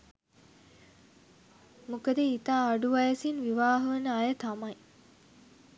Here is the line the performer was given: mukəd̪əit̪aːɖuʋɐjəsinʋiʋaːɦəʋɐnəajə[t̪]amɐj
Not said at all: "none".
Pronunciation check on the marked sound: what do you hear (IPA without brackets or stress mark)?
t̪